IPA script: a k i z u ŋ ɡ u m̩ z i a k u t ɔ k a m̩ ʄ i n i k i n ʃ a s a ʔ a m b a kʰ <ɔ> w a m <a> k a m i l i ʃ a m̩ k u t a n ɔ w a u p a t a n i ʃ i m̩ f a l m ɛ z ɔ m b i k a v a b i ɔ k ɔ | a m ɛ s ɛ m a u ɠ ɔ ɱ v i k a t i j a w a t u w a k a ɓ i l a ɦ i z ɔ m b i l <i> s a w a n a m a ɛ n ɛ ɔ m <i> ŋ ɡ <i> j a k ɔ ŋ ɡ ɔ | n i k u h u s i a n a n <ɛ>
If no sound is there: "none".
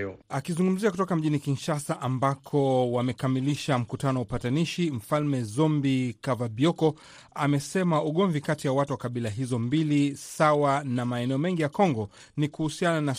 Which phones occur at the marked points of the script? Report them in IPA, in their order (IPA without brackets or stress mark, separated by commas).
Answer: ɔ, ɛ, i, ɛ, i, a